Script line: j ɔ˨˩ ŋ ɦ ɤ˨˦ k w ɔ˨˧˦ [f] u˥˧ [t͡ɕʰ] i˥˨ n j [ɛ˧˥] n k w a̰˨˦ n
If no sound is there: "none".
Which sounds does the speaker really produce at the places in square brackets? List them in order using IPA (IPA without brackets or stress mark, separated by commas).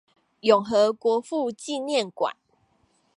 f, t͡ɕ, ɛ˥˨